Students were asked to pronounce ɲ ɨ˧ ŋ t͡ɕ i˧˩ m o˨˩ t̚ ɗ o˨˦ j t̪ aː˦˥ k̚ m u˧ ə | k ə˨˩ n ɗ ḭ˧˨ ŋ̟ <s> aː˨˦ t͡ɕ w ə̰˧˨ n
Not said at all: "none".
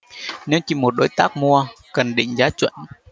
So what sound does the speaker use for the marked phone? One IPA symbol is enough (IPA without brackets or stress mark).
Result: z